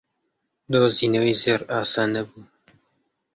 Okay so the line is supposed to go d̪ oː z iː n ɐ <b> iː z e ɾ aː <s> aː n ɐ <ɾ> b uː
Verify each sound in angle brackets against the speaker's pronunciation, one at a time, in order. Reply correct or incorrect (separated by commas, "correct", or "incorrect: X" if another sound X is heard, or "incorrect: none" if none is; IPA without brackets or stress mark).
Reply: incorrect: w, correct, incorrect: none